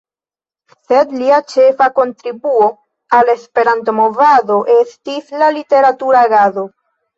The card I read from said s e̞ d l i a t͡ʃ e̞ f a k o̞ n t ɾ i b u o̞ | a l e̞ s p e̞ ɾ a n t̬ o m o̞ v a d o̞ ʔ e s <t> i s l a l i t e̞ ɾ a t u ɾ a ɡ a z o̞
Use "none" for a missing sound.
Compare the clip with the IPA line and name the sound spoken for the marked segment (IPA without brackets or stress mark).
t